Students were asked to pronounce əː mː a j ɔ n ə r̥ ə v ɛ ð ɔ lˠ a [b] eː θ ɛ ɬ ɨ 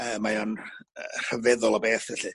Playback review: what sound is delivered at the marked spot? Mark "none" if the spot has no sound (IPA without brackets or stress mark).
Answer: b